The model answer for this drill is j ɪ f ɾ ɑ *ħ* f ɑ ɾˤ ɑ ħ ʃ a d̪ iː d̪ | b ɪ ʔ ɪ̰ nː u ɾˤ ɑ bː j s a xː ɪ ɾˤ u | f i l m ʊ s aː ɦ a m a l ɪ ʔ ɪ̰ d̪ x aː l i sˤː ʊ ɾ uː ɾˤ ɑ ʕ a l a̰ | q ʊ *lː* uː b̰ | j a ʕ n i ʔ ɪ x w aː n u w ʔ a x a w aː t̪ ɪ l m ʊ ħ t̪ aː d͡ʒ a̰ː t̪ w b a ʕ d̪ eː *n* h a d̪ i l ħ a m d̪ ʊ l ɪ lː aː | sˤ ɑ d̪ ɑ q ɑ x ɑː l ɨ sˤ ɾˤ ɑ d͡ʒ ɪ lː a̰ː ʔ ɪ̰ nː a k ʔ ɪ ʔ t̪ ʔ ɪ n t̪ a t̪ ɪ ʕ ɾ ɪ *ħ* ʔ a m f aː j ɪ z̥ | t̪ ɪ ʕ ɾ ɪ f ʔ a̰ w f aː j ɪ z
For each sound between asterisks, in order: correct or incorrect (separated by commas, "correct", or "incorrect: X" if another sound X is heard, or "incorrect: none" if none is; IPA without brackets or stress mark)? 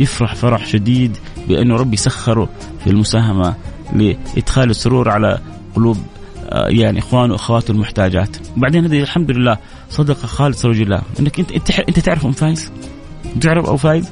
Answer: correct, incorrect: l, correct, incorrect: f